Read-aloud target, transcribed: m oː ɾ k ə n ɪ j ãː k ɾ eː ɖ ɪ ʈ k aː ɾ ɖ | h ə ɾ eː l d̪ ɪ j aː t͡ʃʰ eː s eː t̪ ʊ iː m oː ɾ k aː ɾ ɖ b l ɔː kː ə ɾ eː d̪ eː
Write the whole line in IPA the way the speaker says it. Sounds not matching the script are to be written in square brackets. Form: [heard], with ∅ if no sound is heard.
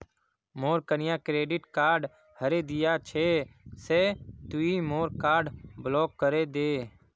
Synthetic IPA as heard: m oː ɾ k ə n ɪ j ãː k ɾ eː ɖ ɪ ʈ k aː ɾ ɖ | h ə ɾ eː [∅] d̪ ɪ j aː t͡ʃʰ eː s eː t̪ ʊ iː m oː ɾ k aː ɾ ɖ b l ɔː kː ə ɾ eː d̪ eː